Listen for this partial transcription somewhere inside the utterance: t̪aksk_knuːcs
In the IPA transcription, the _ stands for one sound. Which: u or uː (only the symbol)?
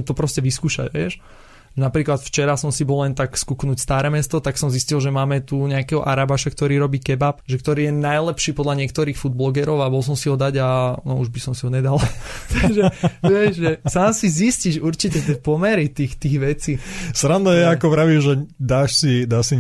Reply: u